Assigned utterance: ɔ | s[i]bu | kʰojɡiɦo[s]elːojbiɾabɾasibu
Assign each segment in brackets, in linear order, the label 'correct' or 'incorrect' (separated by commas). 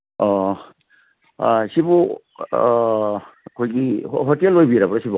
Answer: correct, incorrect